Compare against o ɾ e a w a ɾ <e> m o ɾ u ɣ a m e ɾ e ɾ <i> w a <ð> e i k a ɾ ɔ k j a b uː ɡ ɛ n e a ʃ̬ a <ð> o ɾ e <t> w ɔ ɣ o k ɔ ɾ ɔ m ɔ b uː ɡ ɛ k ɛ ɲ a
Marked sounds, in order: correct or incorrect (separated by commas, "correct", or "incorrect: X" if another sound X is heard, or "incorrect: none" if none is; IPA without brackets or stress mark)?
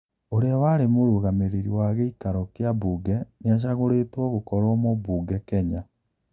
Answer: correct, correct, incorrect: ɣ, incorrect: ɣ, correct